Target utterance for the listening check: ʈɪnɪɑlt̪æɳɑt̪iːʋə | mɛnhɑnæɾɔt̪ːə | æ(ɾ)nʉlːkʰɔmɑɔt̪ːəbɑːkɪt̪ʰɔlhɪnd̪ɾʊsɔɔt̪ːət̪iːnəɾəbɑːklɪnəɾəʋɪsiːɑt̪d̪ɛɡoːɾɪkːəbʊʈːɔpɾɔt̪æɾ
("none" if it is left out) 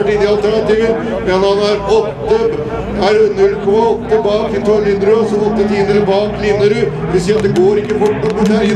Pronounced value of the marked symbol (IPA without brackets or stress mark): ɾ